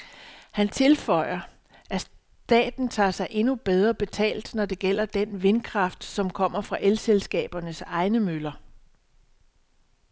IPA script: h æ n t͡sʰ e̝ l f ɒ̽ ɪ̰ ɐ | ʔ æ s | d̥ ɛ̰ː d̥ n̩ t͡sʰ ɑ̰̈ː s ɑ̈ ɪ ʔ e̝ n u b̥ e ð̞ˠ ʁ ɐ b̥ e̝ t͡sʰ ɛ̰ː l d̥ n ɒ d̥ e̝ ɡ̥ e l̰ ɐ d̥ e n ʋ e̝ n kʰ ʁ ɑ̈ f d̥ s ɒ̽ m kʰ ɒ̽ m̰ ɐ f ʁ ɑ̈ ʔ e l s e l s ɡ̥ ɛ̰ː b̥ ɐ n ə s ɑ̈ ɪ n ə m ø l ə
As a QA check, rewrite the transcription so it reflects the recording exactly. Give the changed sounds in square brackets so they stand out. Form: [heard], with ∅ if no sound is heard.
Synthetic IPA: h æ n t͡sʰ e̝ l f ɒ̽ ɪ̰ ɐ | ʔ æ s | d̥ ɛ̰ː d̥ n̩ t͡sʰ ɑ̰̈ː s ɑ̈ ɪ ʔ e̝ n u b̥ e ð̞ˠ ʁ ɐ b̥ e̝ t͡sʰ ɛ̰ː l d̥ n ɒ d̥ e̝ ɡ̥ e l̰ ɐ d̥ e n ʋ e̝ n kʰ ʁ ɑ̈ f d̥ s ɒ̽ m kʰ ɒ̽ m̰ ɐ f ʁ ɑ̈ ʔ e l s e l s ɡ̥ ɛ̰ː b̥ ɐ n ə s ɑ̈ ɪ n ə m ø l [ɐ]

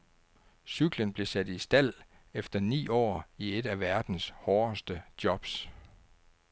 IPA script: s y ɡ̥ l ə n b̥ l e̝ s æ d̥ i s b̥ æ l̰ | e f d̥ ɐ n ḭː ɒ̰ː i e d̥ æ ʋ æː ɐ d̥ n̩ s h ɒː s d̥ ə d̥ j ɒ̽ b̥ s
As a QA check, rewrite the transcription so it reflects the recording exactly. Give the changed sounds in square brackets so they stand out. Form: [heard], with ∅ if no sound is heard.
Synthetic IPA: s y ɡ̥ l ə n b̥ l e̝ s æ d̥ i s [d̥] æ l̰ | e f d̥ ɐ n ḭː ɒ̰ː i e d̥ æ ʋ [æ] ɐ d̥ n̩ s h ɒː s d̥ ə d̥ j ɒ̽ b̥ s

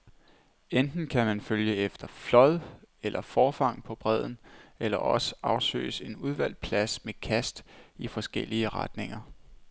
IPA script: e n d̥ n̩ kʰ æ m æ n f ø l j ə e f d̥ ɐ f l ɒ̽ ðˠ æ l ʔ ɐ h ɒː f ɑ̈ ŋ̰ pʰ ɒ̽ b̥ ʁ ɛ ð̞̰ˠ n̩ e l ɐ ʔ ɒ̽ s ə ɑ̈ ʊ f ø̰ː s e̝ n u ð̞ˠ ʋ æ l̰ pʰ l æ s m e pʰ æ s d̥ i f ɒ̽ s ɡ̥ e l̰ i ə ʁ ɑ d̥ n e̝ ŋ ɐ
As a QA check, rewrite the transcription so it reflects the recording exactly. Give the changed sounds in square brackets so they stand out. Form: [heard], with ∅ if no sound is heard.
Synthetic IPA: e n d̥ n̩ kʰ æ m æ n f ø l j ə e f d̥ ɐ f l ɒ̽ ðˠ [e] l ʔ ɐ [f] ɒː f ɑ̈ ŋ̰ pʰ ɒ̽ b̥ ʁ ɛ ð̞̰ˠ n̩ e l ɐ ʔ ɒ̽ s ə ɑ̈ ʊ [s] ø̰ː s e̝ n u ð̞ˠ ʋ æ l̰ pʰ l æ s m e [kʰ] æ s d̥ i f ɒ̽ s ɡ̥ e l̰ i ə ʁ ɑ d̥ n e̝ ŋ ɐ

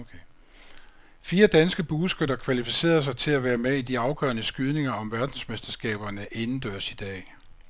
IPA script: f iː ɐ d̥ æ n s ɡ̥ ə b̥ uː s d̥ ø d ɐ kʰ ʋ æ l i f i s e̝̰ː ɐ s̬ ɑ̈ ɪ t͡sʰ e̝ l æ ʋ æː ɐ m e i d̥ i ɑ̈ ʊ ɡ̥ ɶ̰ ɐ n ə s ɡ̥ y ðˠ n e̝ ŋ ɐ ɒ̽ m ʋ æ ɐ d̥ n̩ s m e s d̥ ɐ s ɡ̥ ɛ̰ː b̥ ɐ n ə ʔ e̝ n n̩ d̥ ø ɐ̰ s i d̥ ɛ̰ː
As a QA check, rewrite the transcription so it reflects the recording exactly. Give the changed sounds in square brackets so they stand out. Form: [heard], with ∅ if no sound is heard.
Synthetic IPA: f iː ɐ d̥ æ n s ɡ̥ ə b̥ uː s [ɡ̥] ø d ɐ kʰ ʋ æ l i f i s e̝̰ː ɐ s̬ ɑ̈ ɪ t͡sʰ e̝ l æ ʋ æː ɐ m e i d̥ i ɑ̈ ʊ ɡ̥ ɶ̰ ɐ n ə s ɡ̥ y ðˠ n e̝ ŋ ɐ ɒ̽ m ʋ æ ɐ d̥ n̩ s m e s d̥ ɐ s ɡ̥ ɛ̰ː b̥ ɐ n ə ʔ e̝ n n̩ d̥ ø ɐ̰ s i d̥ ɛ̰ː

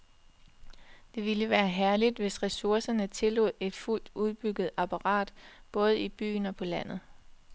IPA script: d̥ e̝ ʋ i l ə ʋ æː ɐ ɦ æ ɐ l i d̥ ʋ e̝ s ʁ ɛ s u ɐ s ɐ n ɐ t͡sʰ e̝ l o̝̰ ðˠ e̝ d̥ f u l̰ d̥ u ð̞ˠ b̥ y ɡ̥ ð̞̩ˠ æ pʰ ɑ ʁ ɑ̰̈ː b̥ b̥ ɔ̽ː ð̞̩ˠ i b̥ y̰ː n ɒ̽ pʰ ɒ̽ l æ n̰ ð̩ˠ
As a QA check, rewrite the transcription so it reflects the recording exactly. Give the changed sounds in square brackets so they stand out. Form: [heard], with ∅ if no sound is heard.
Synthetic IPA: d̥ e̝ ʋ i l ə ʋ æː ɐ ɦ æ ɐ l i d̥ ʋ e̝ s ʁ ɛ s u ɐ s ɐ n [ə] t͡sʰ e̝ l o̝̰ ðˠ e̝ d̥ f u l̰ d̥ u ð̞ˠ b̥ y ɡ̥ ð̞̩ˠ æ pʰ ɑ ʁ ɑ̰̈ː [d̥] b̥ ɔ̽ː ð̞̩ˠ i b̥ y̰ː n ɒ̽ pʰ ɒ̽ l æ n̰ ð̩ˠ

